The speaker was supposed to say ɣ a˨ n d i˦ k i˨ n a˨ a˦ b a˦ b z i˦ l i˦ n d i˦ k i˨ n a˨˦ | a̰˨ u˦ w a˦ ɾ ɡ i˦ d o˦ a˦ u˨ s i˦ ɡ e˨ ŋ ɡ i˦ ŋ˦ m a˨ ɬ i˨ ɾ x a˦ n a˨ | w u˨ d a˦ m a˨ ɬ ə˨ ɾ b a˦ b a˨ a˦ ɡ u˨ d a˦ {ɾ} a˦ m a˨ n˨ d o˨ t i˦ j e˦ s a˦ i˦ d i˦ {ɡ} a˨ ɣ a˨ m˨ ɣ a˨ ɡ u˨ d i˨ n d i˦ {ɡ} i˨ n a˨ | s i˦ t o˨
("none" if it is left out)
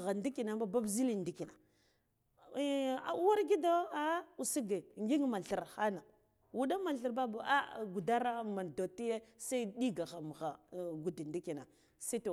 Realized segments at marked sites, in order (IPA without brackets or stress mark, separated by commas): ɾ, ɡ, k